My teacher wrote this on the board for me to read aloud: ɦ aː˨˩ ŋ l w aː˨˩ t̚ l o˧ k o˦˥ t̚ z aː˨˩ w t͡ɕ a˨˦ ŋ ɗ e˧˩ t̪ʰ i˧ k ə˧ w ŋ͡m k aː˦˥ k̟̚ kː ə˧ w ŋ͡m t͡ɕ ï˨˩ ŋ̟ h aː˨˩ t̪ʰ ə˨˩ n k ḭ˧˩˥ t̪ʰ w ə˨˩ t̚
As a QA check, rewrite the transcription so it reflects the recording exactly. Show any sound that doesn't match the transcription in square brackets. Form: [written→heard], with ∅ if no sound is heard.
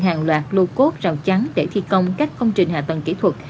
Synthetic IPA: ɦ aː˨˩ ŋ l w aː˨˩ t̚ l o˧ k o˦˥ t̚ z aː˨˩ w t͡ɕ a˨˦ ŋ ɗ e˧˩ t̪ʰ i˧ k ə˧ w ŋ͡m k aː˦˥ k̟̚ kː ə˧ w ŋ͡m t͡ɕ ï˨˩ ŋ̟ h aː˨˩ [t̪ʰ→t̪] ə˨˩ n k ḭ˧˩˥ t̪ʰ w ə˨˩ t̚